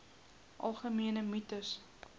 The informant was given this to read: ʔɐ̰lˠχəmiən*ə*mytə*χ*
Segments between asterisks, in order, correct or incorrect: correct, incorrect: s

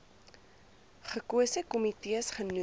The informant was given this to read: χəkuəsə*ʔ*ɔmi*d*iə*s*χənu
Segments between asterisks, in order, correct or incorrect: incorrect: k, incorrect: t, correct

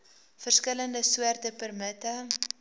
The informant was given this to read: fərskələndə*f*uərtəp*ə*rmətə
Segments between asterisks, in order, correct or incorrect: incorrect: s, correct

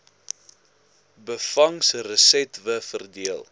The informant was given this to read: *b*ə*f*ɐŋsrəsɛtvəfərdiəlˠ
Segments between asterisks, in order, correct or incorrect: correct, correct

